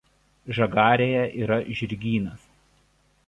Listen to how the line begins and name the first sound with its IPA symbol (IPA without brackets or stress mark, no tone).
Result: ʒ